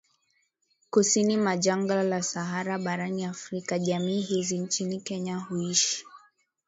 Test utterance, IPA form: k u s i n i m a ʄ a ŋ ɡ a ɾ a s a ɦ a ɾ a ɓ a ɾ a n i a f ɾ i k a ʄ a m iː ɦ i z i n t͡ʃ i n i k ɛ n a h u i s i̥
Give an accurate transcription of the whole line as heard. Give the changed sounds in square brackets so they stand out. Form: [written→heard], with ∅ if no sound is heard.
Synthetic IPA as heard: k u s i n i m a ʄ a ŋ ɡ a [ɾ→l] a s a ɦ a ɾ a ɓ a ɾ a n i a f ɾ i k a ʄ a m iː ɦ i z i n t͡ʃ i n i k ɛ [n→ɲ] a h u i [s→ʃ] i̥